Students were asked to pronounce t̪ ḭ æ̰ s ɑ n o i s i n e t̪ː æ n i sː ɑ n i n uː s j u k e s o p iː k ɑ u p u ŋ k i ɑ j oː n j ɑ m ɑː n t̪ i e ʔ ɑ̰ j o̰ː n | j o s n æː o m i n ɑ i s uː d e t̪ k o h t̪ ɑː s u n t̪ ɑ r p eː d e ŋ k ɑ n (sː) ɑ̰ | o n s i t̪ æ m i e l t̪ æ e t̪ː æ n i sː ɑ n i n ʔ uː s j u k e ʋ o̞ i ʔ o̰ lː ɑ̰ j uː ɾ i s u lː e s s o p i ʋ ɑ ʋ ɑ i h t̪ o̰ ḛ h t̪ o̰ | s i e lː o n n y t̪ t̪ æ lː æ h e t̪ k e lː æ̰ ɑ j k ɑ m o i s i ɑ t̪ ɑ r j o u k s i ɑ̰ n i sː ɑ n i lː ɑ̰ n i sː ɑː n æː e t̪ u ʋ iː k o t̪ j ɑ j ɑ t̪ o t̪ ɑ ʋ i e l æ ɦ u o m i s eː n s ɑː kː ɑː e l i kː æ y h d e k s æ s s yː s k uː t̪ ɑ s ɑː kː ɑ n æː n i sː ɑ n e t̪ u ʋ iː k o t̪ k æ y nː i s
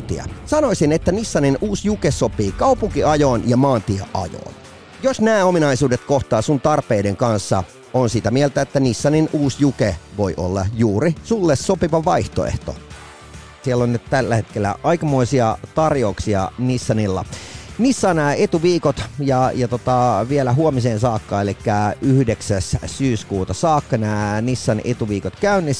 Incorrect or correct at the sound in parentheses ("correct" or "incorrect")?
correct